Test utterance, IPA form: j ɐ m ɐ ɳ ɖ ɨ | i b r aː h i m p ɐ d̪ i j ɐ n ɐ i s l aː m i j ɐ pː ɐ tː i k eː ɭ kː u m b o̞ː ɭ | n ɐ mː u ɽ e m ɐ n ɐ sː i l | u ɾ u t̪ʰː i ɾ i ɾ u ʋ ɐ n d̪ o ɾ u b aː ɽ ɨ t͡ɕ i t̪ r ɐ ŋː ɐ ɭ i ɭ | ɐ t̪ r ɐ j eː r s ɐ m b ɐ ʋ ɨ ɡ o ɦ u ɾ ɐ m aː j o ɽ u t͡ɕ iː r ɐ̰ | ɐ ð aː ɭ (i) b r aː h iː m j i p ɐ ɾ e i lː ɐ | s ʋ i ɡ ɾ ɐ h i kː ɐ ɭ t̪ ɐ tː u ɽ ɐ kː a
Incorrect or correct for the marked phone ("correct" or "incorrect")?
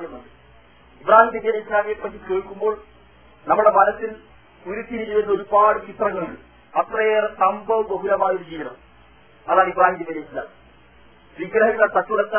correct